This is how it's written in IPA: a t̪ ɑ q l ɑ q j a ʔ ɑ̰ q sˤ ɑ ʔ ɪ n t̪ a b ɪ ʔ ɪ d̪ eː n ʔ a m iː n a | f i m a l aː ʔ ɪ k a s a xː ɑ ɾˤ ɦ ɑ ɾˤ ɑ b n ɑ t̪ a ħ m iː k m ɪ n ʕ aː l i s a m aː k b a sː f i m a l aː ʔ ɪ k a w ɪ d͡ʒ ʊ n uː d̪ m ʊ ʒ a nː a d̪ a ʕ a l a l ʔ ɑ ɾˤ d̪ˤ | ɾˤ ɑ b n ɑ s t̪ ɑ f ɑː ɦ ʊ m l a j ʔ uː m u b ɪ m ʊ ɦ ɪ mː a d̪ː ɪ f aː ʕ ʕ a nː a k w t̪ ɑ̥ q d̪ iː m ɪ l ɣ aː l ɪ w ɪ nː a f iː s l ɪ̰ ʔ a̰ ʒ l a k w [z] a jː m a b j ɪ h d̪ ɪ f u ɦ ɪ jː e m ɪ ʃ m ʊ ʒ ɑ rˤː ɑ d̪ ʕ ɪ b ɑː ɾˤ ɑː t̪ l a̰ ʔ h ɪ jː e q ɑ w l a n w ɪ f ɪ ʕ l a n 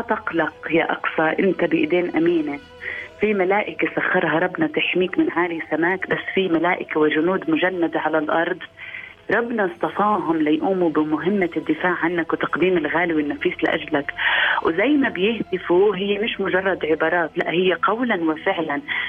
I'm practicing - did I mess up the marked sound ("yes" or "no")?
no